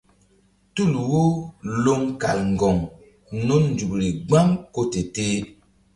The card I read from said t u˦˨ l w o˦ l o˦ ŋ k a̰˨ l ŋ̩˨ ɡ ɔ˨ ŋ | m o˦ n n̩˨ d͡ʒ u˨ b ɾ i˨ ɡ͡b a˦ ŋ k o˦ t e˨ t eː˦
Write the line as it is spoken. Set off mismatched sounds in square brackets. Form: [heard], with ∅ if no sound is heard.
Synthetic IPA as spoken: t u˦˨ l w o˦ l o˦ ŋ k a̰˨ l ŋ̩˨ ɡ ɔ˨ ŋ | [n] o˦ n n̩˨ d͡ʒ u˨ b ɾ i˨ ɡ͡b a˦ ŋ k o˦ t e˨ t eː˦